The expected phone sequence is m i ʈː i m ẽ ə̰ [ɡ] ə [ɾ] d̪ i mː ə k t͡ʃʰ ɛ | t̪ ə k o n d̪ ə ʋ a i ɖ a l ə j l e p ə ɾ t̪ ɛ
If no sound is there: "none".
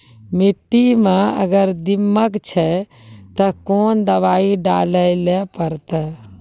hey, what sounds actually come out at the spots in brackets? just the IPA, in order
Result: ɡ, ɾ

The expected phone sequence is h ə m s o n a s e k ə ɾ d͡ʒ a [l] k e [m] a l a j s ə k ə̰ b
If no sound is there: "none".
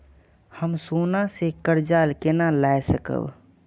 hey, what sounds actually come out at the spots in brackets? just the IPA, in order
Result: l, n

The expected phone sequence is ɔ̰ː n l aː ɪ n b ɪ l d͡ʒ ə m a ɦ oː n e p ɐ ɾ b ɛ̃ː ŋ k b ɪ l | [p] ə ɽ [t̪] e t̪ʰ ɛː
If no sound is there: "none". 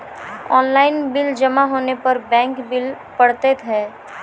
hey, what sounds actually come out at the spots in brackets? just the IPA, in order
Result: p, t̪

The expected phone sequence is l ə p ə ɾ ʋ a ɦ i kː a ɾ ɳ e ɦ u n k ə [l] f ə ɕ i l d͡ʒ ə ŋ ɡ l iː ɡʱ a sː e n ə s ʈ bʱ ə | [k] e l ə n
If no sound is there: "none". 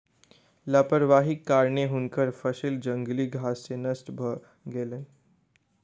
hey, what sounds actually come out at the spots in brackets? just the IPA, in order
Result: ɾ, ɡ

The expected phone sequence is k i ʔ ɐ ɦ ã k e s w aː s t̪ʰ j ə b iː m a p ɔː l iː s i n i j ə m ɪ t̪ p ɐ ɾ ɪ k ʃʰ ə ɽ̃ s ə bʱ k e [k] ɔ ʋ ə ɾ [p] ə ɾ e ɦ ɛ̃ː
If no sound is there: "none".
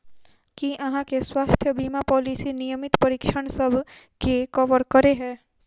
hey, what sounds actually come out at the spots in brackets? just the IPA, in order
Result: k, k

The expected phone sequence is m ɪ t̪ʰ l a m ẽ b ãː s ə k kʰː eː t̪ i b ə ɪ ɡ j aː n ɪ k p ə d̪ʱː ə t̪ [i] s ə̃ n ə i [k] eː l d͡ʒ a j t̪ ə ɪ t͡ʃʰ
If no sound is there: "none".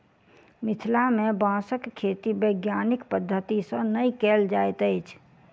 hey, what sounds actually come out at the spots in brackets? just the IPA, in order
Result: i, k

